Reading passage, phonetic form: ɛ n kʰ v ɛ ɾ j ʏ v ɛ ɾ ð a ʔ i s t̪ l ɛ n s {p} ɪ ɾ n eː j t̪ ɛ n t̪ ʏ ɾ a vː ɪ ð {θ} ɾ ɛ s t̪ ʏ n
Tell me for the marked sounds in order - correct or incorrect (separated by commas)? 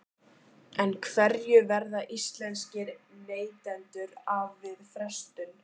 incorrect, incorrect